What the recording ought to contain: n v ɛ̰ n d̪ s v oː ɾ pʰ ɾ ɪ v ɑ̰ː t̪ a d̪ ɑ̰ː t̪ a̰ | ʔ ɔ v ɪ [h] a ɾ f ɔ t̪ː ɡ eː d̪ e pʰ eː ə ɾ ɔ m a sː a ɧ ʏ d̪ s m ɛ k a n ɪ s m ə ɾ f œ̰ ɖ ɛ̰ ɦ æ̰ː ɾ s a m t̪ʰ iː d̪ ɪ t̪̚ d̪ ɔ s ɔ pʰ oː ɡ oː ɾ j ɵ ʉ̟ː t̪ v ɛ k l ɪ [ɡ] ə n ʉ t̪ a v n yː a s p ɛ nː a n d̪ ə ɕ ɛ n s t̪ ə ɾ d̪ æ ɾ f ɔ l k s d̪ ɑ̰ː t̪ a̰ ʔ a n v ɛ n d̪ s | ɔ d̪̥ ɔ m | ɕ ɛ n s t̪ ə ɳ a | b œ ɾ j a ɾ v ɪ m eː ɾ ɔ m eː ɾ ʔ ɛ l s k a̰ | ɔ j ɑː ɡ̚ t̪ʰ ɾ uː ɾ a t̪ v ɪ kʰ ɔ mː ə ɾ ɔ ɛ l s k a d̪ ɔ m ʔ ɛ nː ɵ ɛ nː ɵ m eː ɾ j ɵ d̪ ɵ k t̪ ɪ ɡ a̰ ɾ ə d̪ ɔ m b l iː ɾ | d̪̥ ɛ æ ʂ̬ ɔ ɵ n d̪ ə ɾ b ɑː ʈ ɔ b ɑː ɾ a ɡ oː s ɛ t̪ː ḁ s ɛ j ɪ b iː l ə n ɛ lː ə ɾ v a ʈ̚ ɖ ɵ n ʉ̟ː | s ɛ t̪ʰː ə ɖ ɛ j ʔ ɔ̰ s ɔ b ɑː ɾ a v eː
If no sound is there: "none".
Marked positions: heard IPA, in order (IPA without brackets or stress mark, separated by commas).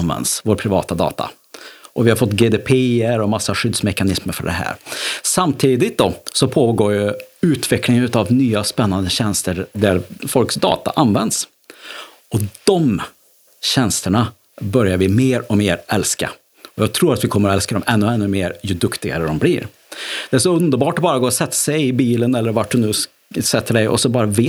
h, ŋ